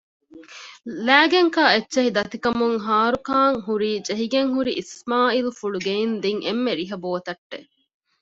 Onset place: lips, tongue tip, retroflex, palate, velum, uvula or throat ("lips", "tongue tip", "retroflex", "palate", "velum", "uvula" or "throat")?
tongue tip